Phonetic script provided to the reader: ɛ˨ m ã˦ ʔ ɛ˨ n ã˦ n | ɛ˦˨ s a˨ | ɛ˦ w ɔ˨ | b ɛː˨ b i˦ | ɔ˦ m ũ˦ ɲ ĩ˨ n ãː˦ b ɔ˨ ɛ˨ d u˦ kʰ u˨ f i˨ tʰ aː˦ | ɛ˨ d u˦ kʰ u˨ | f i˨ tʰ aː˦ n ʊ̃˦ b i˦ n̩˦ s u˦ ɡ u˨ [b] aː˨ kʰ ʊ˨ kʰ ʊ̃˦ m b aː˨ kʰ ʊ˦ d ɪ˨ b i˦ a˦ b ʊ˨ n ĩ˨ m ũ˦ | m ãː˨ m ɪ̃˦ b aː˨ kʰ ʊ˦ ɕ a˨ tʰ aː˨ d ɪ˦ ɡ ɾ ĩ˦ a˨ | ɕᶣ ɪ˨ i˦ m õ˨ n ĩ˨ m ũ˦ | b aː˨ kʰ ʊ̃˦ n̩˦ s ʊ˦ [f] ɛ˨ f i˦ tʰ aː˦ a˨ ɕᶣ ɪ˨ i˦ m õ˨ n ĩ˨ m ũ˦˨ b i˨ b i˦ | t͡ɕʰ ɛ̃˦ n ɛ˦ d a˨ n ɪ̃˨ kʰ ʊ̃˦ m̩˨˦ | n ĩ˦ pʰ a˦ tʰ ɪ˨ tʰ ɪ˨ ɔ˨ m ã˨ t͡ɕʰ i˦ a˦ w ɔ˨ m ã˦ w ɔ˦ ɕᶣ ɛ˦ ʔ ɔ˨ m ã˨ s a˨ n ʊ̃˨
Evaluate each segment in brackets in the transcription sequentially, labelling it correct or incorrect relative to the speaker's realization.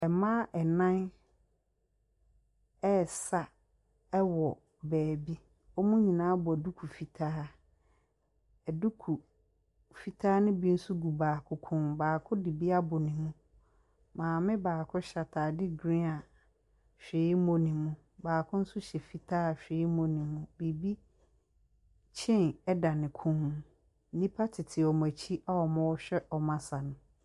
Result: correct, incorrect: ɕ

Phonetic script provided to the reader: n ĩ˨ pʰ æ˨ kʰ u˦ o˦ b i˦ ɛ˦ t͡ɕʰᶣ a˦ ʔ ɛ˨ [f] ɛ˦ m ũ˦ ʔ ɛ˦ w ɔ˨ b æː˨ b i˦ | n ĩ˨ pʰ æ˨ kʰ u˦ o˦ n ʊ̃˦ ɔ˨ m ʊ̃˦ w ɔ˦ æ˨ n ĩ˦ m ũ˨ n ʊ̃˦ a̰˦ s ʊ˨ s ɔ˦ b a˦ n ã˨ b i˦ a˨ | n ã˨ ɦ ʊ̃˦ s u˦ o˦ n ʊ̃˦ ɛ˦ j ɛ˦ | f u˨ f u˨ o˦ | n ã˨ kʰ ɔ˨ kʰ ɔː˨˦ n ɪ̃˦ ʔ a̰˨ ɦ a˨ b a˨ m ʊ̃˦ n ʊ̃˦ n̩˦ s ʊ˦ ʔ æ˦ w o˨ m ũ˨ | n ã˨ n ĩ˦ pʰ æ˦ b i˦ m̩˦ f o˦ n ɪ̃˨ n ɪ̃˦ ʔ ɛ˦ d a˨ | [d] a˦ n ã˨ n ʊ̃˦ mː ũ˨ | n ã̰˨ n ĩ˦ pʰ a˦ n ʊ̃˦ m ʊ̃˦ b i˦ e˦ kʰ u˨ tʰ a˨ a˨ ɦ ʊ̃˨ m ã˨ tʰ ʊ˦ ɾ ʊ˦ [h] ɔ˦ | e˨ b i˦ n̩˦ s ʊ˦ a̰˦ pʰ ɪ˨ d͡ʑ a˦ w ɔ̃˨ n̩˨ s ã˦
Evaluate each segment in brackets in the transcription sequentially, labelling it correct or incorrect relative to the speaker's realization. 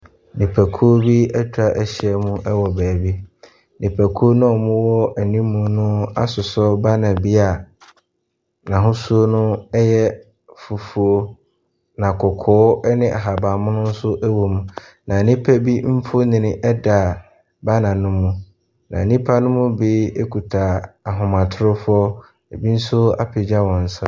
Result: incorrect: ɕ, incorrect: b, incorrect: f

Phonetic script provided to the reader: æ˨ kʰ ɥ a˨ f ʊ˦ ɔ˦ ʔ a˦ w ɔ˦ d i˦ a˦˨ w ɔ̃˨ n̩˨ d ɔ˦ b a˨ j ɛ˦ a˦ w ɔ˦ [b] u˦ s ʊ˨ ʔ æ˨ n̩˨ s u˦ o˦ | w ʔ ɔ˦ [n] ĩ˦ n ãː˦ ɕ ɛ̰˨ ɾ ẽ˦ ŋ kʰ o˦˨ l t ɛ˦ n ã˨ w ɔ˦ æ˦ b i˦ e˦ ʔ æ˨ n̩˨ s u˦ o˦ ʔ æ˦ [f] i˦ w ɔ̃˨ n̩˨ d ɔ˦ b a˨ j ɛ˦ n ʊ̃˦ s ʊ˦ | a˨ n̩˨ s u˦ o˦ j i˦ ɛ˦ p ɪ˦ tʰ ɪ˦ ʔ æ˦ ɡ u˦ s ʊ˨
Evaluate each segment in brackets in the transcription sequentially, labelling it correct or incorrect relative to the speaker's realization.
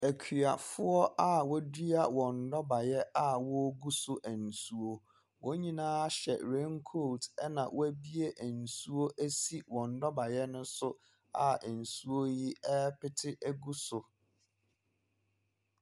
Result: incorrect: ɡ, incorrect: ɲ, incorrect: s

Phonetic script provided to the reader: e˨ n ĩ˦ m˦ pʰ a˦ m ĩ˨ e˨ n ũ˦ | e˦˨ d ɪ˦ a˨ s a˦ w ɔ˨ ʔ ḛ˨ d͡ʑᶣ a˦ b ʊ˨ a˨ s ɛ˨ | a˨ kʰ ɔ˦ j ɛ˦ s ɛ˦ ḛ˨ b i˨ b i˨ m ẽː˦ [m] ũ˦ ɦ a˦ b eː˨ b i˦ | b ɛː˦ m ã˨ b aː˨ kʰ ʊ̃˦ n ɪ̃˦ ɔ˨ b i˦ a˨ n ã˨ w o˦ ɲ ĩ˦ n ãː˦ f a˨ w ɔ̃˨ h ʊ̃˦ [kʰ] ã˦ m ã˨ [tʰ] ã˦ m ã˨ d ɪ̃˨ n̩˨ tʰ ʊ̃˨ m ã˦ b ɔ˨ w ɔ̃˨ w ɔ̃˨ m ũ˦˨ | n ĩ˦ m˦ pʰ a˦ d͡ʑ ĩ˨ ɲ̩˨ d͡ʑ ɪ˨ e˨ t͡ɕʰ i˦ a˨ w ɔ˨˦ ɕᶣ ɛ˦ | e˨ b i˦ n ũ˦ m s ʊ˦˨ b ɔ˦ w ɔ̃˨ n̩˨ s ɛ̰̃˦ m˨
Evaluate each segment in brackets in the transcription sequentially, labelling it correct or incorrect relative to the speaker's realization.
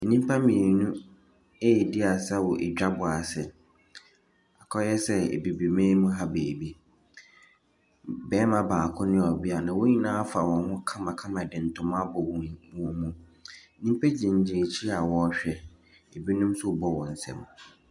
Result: correct, correct, incorrect: kʰ

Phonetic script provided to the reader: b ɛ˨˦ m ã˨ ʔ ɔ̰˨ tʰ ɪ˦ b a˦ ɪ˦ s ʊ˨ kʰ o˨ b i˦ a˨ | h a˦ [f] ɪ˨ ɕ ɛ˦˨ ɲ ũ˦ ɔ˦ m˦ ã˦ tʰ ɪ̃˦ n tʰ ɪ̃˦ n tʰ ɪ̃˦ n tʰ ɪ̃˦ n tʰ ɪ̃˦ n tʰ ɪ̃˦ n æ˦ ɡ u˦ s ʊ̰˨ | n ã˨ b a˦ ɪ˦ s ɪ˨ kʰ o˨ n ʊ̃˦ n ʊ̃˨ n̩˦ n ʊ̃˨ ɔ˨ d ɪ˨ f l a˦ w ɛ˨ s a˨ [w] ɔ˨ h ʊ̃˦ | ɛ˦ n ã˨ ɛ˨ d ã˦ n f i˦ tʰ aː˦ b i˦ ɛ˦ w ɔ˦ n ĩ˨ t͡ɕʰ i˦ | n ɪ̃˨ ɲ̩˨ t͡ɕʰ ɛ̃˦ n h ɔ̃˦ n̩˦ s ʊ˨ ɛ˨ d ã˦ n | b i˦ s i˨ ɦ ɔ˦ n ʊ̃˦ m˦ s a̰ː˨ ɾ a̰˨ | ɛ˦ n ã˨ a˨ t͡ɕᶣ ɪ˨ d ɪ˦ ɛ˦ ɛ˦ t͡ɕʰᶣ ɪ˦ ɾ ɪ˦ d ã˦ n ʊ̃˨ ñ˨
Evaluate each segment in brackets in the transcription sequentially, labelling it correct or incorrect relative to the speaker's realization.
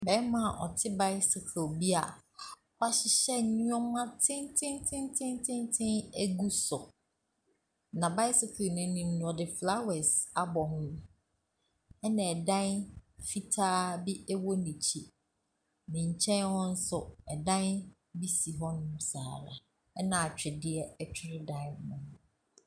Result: incorrect: ɕ, incorrect: b

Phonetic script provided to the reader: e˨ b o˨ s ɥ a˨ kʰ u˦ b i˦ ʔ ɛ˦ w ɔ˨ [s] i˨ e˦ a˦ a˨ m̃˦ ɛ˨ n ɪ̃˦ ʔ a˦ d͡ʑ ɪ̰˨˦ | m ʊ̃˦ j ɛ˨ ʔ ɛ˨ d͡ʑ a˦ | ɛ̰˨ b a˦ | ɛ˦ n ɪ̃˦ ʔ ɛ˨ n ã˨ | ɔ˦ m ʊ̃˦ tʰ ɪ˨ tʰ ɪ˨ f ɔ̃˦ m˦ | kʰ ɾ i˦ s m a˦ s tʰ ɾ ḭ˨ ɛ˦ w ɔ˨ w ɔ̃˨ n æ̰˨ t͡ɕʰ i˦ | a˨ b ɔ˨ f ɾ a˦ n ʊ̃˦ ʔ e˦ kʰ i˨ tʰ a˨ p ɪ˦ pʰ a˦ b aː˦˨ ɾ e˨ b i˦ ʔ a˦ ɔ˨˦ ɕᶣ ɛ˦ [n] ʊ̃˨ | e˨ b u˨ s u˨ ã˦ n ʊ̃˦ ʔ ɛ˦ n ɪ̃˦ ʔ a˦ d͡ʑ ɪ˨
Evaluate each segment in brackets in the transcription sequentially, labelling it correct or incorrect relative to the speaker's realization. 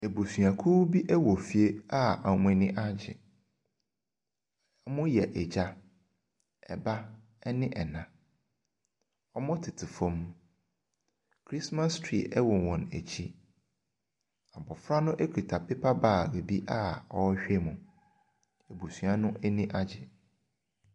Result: incorrect: f, incorrect: m

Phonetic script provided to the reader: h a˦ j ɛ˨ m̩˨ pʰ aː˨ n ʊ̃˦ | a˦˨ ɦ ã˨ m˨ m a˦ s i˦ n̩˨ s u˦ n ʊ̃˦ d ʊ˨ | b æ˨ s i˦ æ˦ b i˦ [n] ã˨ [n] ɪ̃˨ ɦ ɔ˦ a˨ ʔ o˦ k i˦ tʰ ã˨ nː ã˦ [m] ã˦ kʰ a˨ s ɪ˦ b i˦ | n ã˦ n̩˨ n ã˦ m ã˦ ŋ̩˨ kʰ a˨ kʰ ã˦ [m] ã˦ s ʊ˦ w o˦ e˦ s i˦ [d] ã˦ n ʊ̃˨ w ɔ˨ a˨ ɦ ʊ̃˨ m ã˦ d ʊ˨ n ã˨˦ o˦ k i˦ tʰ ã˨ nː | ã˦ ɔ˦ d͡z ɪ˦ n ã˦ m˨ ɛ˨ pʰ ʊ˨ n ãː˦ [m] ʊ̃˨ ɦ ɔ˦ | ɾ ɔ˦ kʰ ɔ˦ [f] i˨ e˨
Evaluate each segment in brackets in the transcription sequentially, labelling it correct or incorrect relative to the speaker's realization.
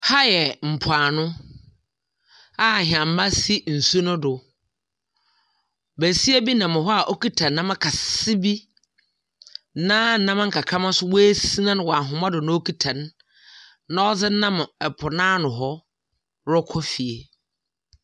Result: correct, incorrect: m, correct, correct, incorrect: n, incorrect: n, correct

